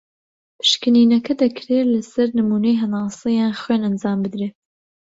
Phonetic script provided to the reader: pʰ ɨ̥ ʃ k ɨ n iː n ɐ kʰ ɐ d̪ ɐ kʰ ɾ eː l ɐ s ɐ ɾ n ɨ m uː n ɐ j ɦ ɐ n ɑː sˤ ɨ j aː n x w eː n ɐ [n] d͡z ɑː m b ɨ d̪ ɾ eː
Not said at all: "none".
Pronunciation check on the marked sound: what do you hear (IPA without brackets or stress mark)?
n